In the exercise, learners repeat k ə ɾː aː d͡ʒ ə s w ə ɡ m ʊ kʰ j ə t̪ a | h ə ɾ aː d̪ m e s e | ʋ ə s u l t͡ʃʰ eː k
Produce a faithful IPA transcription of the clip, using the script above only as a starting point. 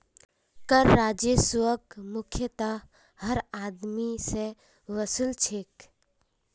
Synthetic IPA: k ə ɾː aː d͡ʒ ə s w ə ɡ m ʊ kʰ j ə t̪ a | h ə ɾ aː d̪ m i s e | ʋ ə s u l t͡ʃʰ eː k